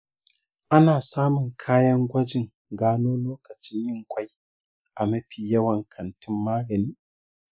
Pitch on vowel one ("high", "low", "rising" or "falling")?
high